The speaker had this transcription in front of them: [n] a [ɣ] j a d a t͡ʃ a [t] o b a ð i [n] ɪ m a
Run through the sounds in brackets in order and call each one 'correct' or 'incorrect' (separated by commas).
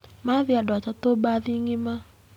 incorrect, incorrect, correct, incorrect